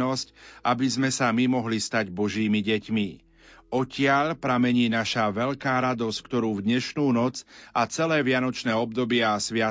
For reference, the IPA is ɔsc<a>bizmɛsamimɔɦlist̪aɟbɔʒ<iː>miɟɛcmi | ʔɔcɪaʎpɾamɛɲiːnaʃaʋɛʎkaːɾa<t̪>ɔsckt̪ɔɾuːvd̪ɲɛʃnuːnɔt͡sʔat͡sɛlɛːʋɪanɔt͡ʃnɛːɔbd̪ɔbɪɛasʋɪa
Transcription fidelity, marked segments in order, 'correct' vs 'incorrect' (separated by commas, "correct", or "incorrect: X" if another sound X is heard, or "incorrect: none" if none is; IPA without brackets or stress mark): correct, correct, incorrect: d̪